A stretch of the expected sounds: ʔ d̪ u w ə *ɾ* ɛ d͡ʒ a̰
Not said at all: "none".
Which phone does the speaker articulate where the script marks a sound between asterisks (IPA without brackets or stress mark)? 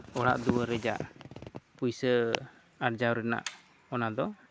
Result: ɾ